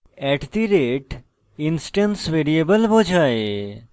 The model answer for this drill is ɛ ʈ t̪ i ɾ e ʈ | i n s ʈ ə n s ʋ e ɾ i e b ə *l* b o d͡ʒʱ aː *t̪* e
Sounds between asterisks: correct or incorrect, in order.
correct, incorrect: none

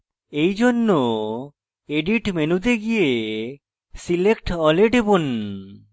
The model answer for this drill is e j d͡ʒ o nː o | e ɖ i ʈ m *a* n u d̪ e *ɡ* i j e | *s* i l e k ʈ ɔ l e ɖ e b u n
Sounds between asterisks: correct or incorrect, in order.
incorrect: e, correct, correct

